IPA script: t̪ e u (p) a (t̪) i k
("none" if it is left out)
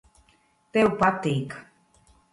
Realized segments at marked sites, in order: p, t̪

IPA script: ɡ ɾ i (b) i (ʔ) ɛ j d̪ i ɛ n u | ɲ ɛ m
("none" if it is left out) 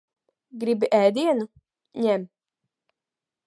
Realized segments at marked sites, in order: b, ʔ

